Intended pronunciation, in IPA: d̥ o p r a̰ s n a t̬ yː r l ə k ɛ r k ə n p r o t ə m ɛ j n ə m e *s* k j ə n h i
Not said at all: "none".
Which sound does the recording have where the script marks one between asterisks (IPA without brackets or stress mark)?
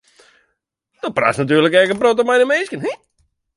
s